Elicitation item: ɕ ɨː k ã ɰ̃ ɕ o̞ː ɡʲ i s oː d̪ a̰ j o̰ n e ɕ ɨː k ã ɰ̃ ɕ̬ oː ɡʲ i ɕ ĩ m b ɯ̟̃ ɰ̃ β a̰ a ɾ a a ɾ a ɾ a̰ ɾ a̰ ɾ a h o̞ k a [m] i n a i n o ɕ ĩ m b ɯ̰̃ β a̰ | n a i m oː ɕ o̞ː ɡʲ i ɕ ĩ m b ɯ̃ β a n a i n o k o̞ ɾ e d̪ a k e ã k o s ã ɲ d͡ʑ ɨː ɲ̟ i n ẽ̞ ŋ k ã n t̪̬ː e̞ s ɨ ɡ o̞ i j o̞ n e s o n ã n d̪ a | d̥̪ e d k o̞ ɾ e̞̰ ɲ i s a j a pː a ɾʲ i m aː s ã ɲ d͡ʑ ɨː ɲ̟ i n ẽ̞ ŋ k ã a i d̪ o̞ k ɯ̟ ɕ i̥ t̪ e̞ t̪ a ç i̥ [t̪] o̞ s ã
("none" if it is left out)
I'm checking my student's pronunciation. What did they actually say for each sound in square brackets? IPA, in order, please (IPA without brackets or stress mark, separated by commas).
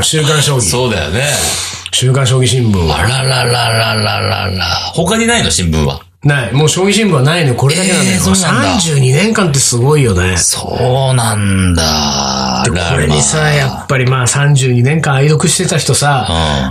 ɲ, t̪